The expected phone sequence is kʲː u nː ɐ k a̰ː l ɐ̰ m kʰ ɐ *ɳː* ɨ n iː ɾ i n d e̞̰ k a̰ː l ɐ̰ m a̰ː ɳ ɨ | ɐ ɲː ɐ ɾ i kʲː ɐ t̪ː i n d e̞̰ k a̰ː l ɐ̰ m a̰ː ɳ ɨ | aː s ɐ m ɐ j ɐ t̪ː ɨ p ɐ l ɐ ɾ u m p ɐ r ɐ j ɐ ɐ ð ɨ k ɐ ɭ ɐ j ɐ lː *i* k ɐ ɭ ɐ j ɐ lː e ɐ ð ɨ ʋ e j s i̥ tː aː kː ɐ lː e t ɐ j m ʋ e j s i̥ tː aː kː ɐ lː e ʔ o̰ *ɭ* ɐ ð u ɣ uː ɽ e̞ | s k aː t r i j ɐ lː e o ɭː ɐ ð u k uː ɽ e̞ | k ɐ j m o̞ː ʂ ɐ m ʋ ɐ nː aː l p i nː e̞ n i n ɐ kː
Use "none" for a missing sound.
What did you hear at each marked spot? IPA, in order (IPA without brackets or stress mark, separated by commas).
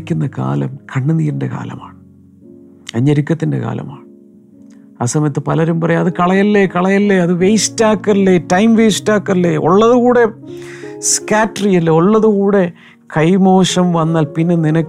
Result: ɳː, e, ɭː